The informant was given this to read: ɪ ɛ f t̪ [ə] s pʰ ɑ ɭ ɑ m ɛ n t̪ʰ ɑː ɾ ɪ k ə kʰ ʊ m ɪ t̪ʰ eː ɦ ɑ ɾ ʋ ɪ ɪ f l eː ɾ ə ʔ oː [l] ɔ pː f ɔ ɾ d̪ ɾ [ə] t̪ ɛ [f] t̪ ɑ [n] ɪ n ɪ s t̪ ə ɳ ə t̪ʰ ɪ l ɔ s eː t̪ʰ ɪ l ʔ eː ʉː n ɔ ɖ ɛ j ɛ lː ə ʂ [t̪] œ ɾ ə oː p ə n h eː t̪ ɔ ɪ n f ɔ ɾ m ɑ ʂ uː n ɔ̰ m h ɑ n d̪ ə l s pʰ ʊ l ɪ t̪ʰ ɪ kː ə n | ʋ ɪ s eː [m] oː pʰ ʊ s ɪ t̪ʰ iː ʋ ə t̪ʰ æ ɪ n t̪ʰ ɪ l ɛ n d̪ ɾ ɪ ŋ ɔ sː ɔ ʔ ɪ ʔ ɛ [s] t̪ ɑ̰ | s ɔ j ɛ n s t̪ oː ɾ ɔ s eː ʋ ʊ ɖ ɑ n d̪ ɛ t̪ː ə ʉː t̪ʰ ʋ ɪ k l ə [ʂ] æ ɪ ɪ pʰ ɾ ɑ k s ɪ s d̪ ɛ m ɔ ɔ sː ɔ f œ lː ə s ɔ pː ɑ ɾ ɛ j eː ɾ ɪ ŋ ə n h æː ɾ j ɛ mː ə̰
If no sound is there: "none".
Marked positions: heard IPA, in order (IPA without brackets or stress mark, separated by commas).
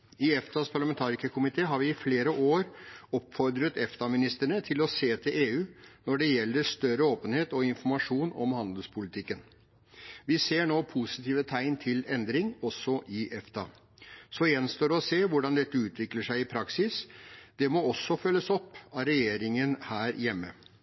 ɑ, ɾ, ə, f, m, t̪, ɳ, f, ʂ